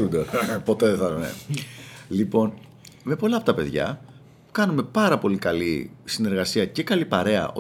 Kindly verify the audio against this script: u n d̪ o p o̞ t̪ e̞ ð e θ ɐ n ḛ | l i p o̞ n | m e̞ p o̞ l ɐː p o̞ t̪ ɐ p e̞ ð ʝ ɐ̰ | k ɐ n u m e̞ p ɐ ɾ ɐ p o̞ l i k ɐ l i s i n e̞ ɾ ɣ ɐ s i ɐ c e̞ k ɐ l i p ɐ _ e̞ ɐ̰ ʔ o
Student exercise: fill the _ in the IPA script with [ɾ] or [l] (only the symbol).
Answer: ɾ